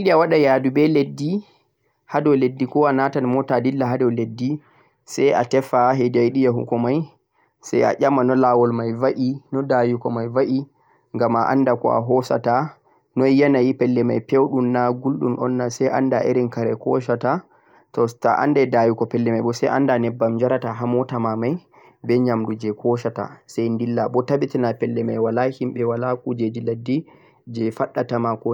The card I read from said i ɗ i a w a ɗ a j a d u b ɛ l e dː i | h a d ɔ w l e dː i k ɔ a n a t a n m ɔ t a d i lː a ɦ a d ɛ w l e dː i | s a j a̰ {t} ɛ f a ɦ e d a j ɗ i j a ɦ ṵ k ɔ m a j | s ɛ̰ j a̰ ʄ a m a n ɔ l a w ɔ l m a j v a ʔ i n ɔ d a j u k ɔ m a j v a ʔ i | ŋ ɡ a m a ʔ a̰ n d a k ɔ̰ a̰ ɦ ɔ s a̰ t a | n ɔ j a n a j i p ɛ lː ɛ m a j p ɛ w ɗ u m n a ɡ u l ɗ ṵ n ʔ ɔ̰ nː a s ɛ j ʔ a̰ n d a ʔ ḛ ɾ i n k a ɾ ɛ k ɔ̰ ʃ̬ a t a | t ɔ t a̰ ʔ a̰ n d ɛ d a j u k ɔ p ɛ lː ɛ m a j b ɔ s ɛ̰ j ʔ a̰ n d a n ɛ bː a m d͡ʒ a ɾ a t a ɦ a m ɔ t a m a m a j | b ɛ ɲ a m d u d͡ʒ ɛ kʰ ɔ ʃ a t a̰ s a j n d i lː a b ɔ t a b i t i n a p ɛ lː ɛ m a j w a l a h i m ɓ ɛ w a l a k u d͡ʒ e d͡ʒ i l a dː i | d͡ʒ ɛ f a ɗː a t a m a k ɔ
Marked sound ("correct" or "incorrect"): correct